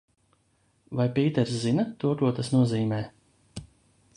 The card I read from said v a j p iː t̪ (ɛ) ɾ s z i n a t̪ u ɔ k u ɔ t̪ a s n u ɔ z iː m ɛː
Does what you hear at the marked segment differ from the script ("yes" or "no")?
no